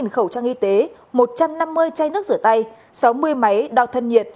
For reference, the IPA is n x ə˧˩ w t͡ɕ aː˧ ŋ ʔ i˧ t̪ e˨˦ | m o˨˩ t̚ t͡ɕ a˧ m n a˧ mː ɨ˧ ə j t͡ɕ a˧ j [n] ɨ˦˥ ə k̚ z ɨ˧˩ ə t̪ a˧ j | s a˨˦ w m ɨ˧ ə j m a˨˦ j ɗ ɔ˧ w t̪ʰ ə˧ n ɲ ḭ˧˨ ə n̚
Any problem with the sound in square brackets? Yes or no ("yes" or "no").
no